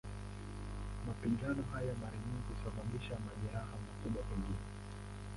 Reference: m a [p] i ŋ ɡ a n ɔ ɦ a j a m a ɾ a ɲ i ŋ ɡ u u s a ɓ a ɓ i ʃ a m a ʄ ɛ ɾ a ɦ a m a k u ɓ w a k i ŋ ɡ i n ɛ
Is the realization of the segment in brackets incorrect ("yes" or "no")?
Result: no